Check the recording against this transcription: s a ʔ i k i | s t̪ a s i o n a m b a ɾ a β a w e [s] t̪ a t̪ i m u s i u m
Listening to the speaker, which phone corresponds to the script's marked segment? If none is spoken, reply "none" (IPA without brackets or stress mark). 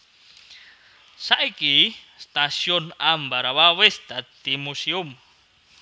s